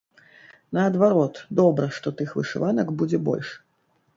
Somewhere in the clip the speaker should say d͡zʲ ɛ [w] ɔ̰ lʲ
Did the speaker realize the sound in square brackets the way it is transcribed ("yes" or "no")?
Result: no